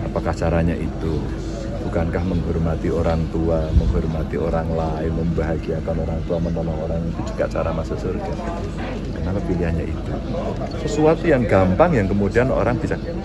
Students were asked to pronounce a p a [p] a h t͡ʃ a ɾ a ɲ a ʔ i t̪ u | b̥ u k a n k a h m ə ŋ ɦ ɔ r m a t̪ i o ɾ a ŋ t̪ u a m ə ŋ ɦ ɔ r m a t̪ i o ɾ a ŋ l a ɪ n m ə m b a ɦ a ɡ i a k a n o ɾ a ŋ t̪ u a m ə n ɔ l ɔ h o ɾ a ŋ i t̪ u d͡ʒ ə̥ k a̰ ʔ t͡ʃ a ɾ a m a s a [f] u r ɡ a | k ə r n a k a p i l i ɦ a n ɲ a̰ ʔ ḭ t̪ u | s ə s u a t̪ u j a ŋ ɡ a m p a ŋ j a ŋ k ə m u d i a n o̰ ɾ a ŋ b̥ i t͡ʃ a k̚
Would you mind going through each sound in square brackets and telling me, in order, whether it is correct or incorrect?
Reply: incorrect, incorrect

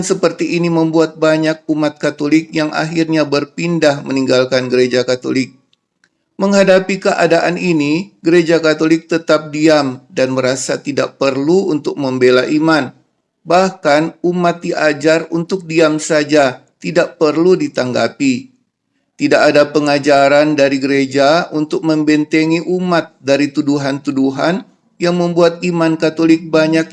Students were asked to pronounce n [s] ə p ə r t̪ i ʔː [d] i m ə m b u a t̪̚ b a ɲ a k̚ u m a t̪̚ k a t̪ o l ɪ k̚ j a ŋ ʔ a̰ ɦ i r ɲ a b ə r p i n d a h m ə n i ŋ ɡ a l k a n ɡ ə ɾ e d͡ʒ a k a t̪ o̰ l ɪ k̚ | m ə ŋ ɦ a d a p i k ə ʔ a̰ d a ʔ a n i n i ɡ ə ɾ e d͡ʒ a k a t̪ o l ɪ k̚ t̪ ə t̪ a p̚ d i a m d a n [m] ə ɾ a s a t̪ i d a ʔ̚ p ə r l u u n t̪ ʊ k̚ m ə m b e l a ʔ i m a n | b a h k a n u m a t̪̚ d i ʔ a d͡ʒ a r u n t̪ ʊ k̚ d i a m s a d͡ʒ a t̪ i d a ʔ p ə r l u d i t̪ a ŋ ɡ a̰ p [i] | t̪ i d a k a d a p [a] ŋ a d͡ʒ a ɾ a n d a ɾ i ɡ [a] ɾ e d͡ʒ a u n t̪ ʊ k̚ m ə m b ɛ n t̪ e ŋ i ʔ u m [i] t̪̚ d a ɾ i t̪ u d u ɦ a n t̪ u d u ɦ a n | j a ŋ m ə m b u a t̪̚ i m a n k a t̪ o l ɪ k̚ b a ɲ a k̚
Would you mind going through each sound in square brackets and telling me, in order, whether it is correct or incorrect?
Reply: correct, incorrect, correct, correct, incorrect, incorrect, incorrect

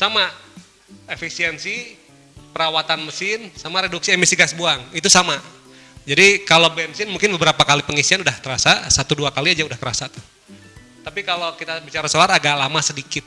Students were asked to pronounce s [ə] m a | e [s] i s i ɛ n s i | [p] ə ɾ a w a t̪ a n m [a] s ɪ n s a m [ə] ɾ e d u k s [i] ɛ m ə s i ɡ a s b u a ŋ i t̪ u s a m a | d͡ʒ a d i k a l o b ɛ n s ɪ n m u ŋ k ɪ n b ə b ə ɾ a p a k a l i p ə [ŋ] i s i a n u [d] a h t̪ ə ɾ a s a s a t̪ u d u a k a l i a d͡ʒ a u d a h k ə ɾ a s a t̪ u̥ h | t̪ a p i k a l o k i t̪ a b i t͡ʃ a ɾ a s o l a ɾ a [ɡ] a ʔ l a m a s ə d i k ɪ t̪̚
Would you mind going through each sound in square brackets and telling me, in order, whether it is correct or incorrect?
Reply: incorrect, incorrect, correct, incorrect, incorrect, correct, correct, correct, correct

